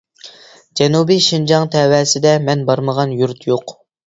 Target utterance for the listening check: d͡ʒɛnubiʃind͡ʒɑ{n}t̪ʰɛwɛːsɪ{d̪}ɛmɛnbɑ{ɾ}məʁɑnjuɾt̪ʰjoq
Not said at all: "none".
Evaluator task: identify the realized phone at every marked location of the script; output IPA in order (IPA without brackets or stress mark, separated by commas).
ŋ, d̪, ɾ